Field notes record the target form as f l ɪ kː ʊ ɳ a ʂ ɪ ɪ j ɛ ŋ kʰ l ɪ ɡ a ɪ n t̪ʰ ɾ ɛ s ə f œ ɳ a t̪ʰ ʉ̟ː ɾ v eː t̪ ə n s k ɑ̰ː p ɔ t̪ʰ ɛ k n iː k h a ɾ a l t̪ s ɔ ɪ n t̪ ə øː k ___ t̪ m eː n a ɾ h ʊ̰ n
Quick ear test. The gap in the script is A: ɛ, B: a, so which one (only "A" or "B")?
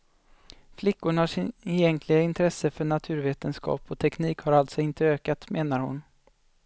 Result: B